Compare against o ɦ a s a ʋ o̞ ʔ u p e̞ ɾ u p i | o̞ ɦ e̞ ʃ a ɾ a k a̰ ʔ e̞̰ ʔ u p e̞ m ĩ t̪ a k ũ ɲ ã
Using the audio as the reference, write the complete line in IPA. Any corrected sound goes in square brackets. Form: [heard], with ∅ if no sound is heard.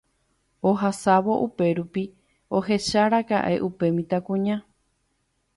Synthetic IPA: o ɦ a s a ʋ o̞ ʔ u p e̞ ɾ u p i | o̞ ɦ e̞ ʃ a ɾ a k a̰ ʔ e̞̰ ʔ u p e̞ m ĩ t̪ a k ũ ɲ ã